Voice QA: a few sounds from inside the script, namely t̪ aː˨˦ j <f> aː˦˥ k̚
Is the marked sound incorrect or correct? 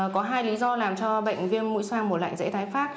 correct